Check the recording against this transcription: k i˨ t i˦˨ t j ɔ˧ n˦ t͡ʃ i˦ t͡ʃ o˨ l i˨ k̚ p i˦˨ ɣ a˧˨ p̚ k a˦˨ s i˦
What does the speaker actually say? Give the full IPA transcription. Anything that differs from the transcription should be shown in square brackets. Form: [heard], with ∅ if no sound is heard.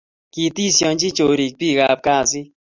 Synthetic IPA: k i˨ t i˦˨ [s] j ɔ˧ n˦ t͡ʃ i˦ t͡ʃ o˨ [ɾ] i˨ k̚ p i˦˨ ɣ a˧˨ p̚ k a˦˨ s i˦